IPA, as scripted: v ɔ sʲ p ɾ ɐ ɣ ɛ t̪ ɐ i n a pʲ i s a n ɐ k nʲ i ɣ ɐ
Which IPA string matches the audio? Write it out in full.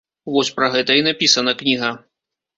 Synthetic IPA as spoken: v ɔ sʲ p ɾ ɐ ɣ ɛ t̪ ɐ i n a pʲ i s ɐ n ɐ k nʲ i ɣ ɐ